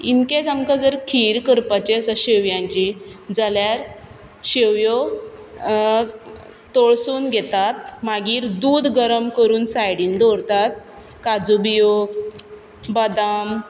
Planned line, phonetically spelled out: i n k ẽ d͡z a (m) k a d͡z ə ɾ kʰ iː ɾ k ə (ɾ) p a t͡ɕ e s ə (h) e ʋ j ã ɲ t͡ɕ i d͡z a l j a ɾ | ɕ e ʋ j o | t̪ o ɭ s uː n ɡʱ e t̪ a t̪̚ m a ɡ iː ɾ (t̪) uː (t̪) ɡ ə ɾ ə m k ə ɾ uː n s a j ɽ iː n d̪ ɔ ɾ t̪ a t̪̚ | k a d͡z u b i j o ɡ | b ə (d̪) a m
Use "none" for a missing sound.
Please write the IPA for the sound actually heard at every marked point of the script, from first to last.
m, ɾ, ɕ, d̪, d̪, d̪

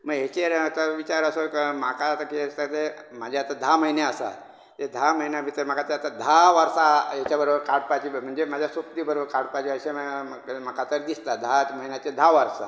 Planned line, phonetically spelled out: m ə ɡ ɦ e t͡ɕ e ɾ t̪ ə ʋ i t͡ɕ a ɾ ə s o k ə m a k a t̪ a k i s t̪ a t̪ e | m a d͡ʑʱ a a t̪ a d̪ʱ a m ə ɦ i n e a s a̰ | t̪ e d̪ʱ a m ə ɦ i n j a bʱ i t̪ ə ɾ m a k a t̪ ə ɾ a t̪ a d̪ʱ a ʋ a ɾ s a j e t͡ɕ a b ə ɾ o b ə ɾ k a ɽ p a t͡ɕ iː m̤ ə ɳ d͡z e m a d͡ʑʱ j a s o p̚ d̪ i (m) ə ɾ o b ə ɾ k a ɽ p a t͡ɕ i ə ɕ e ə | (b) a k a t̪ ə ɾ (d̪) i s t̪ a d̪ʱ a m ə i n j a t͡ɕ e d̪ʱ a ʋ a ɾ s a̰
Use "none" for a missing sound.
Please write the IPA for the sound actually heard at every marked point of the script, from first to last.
b, m, d̪

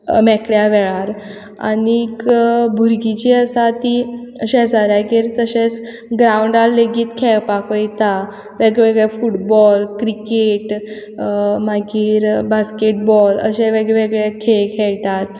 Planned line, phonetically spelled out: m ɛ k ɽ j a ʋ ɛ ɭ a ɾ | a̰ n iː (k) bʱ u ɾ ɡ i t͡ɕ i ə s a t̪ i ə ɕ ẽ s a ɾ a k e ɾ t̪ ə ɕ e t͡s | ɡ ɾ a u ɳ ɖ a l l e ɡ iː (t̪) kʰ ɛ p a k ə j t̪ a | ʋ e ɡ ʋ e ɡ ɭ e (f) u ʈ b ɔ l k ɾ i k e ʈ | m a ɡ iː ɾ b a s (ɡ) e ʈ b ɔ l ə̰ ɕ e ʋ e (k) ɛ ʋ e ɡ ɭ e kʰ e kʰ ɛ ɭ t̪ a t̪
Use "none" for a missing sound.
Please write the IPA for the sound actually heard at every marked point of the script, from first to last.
k, t̪, f, k, ɡ

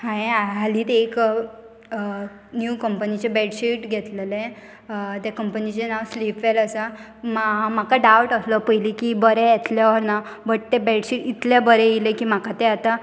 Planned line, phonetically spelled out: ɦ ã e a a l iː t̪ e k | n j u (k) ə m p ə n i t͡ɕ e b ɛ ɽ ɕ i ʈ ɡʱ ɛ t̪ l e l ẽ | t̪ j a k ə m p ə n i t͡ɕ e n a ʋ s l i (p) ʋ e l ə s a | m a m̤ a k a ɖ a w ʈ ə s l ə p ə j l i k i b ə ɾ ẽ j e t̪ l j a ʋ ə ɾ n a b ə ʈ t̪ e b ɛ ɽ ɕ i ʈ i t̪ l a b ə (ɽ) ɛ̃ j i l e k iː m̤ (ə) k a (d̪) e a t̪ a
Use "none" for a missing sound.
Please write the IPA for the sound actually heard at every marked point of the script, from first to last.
k, p, ɾ, a, t̪

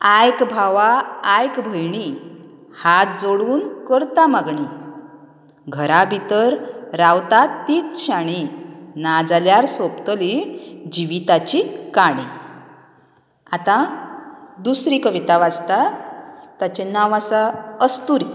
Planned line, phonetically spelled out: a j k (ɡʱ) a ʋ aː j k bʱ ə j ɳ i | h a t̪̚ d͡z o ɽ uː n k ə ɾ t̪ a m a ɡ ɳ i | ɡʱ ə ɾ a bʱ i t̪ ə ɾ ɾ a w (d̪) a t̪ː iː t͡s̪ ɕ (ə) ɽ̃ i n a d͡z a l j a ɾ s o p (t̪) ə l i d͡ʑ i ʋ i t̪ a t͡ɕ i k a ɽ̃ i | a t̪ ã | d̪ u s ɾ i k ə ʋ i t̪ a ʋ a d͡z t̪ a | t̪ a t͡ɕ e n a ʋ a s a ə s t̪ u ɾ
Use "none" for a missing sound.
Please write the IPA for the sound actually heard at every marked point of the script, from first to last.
bʱ, t̪, a, t̪

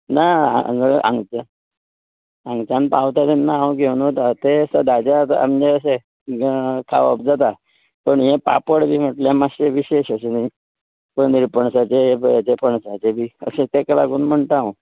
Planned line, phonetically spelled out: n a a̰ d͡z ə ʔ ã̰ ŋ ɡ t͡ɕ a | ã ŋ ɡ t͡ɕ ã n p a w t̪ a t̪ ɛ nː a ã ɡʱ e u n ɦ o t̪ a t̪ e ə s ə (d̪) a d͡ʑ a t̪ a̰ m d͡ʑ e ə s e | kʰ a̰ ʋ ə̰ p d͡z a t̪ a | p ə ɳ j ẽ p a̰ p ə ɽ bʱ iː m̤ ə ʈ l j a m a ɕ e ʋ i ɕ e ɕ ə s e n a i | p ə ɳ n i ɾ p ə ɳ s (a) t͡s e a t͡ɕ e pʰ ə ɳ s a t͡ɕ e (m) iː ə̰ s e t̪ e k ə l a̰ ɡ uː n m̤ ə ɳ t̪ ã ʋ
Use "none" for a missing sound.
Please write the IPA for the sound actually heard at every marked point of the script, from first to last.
d̪, a, b

